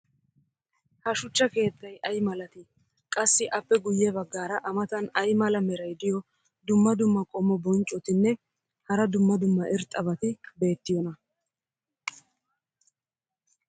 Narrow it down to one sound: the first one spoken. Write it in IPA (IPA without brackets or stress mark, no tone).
h